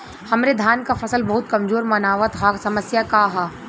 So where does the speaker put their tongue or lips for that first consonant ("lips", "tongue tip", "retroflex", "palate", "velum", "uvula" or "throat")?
throat